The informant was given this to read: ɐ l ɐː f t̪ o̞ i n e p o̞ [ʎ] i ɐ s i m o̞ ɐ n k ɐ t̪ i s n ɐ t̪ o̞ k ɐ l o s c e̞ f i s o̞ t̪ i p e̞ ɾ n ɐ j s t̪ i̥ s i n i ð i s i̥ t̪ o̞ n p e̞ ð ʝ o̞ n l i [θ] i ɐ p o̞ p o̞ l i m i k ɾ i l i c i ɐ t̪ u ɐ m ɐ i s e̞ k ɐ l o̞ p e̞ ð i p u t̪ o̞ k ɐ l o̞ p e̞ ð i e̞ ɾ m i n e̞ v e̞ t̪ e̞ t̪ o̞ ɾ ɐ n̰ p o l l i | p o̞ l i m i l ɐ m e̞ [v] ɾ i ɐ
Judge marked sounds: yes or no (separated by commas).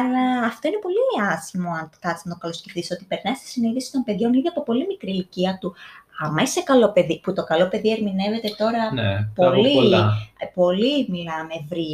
no, no, yes